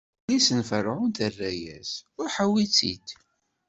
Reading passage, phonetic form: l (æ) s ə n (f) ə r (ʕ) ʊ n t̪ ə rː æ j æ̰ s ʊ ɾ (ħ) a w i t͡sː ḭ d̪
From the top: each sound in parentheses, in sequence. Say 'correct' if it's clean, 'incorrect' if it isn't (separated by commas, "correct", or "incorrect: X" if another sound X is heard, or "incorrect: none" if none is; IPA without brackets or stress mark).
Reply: incorrect: i, correct, correct, correct